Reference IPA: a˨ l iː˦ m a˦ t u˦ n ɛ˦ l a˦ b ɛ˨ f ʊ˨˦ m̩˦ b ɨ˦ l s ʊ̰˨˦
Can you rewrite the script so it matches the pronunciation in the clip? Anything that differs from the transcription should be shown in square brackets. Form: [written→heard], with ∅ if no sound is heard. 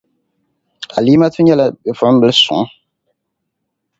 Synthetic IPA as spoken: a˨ l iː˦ m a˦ t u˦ [n→ɲ] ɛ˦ l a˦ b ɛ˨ f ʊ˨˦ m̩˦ b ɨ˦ l s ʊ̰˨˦